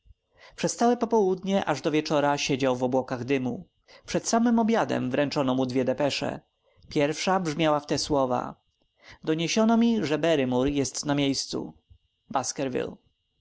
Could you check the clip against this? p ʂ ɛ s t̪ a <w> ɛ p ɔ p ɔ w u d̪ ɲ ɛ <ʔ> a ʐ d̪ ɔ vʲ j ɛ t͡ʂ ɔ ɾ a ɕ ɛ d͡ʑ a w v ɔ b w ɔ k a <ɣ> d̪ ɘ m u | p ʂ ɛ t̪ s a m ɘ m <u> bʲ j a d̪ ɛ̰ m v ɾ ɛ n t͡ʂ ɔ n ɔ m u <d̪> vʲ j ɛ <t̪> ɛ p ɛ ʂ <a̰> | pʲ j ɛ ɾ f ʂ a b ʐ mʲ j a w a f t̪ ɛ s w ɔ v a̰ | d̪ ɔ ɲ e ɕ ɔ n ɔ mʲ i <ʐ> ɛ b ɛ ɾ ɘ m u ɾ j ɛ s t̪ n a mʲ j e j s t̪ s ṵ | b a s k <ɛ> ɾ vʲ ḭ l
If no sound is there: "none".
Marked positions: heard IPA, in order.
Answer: w, ʔ, ɣ, ɔ, d̪, d̪, ɛ̰, ʐ, ɛ

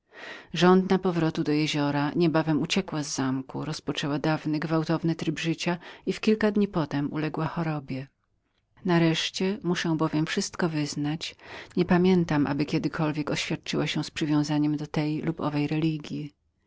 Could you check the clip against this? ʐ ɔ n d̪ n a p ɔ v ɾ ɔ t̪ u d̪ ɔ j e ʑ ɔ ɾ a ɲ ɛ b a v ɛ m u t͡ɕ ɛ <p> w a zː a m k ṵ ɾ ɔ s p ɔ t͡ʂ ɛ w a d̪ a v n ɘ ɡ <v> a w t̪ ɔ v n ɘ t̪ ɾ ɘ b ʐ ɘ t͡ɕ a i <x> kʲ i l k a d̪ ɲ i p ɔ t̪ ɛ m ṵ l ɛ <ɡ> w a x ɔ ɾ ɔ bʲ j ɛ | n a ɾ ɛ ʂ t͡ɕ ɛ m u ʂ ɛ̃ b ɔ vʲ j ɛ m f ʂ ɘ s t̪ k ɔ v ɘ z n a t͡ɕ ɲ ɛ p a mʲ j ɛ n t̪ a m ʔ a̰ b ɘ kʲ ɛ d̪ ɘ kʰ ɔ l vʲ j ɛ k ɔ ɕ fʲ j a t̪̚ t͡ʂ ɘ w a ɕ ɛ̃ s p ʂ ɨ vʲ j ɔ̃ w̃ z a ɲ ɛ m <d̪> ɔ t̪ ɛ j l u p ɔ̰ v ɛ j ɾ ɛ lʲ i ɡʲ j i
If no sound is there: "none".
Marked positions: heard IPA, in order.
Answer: k, v, f, ɡ, d̪

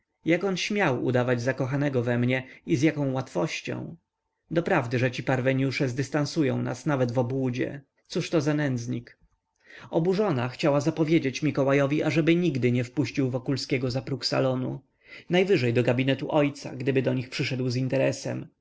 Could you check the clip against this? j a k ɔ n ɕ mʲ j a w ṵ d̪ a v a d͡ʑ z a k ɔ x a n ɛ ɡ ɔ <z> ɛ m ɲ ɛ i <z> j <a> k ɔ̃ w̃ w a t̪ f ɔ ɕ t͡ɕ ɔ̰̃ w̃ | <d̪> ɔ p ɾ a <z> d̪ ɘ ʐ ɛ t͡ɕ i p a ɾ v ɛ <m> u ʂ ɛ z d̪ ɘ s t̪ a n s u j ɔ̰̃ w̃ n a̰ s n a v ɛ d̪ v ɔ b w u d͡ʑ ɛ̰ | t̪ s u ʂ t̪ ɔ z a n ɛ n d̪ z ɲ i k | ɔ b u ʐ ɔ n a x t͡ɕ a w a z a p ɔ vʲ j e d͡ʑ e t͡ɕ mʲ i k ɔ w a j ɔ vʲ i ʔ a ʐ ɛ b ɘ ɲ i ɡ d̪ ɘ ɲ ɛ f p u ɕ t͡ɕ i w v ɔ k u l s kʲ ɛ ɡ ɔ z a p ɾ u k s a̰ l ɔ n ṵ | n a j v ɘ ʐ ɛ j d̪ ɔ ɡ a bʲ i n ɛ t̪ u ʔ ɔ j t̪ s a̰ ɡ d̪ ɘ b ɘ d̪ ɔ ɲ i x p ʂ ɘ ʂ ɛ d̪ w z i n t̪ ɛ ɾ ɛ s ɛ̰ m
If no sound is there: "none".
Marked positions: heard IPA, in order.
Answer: v, z, a, d̪, v, ɲ

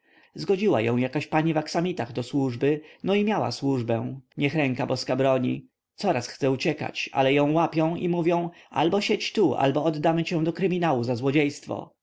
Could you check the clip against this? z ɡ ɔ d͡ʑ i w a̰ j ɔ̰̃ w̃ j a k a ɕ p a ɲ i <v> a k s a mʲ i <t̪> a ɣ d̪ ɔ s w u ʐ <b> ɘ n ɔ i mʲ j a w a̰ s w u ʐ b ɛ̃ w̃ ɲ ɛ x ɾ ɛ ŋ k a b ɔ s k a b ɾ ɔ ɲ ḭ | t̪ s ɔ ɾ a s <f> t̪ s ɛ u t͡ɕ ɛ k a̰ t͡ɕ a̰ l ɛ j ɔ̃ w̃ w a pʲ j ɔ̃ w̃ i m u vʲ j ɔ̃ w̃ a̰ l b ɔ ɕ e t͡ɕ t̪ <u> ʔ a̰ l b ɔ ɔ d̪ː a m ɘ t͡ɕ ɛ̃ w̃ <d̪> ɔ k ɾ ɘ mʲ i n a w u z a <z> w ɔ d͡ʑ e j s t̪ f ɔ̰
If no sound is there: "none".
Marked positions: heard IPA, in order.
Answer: v, t̪, b, x, u, d̪, z

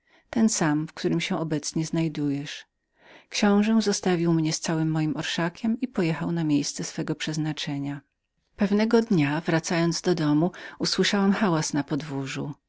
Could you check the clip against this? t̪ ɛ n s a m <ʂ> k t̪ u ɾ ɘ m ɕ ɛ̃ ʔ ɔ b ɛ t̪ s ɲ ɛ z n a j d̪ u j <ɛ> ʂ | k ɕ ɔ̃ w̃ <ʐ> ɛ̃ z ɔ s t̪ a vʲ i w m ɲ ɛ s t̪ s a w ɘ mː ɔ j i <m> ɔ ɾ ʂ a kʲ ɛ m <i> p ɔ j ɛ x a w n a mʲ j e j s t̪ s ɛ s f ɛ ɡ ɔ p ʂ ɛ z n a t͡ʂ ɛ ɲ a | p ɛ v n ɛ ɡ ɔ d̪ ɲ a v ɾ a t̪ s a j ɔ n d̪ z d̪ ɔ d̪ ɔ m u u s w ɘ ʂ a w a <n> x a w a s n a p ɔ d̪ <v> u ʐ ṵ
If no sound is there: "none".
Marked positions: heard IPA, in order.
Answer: f, ɛ, ʐ, m, i, m, v

